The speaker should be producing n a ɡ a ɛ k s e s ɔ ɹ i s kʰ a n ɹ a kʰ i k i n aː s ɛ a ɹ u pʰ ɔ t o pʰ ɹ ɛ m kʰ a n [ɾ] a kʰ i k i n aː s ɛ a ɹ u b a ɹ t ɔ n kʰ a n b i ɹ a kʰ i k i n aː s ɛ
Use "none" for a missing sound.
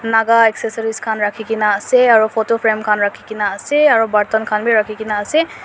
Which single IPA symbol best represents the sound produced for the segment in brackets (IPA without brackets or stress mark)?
ɹ